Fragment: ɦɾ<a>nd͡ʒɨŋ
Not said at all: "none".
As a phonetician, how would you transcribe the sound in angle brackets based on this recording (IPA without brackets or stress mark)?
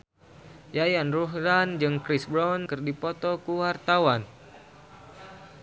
a